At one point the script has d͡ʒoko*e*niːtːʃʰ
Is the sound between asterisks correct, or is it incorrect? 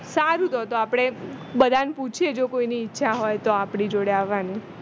incorrect